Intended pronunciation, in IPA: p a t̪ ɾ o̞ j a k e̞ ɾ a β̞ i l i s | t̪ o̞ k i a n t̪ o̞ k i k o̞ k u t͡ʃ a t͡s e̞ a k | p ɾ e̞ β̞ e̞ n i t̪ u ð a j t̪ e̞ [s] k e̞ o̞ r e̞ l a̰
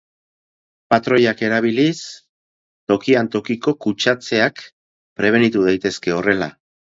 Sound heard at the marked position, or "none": s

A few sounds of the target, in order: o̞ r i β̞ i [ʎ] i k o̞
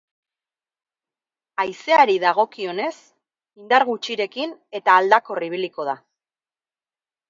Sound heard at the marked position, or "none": l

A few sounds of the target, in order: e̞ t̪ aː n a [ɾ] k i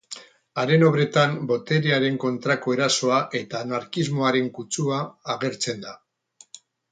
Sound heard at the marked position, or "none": ɾ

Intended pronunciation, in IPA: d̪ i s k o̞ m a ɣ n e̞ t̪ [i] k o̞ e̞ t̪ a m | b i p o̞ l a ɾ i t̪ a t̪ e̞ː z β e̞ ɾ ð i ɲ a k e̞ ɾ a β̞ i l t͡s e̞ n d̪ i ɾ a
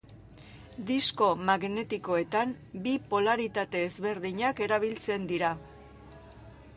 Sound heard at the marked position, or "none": i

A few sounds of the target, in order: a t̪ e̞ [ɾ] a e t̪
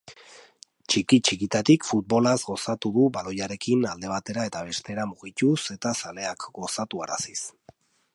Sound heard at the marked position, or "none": ɾ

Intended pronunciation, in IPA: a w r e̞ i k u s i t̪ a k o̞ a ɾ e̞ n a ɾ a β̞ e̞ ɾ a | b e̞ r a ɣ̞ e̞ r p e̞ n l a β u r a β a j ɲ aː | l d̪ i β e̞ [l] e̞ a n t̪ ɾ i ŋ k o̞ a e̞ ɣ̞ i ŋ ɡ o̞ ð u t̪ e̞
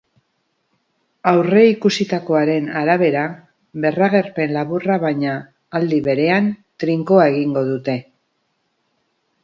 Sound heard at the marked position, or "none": ɾ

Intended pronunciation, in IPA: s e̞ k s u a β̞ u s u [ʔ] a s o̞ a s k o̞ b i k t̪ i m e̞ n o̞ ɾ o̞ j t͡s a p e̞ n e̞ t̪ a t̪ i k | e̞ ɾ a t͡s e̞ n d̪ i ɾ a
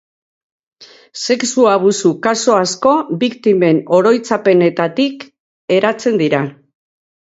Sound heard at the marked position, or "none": k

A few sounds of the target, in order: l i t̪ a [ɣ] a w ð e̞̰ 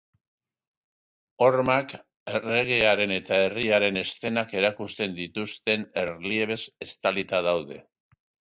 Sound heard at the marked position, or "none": ð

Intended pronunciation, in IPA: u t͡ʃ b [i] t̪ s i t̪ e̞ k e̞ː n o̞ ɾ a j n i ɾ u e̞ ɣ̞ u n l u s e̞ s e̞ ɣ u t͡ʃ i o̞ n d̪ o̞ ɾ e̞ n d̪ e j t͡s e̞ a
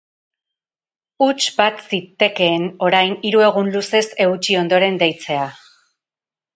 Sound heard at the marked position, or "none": a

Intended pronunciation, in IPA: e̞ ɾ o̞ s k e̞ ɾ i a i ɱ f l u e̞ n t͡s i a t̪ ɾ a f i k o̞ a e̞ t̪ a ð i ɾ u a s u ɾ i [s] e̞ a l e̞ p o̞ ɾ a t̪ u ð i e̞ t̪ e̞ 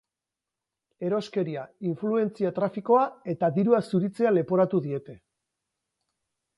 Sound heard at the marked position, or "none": t͡s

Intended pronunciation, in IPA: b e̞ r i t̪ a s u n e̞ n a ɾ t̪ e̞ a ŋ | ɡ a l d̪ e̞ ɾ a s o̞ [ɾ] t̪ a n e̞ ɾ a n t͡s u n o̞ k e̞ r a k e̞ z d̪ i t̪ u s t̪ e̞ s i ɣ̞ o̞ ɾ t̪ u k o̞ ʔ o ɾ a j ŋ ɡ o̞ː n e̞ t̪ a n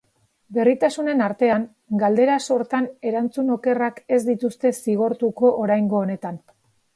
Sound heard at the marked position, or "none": ɾ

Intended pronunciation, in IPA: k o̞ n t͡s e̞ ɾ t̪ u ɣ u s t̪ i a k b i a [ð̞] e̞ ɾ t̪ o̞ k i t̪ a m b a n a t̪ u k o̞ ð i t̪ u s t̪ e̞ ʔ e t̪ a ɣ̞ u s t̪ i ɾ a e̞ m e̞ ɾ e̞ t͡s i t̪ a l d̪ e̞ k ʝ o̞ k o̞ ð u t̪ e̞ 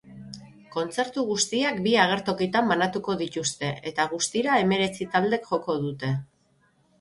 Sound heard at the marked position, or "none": ɣ̞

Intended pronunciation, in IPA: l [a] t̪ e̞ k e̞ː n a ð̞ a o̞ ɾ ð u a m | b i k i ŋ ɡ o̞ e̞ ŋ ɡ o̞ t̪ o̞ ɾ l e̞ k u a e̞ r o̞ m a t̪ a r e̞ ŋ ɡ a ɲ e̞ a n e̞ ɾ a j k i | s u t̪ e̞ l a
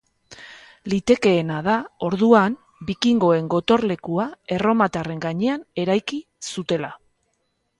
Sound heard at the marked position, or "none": i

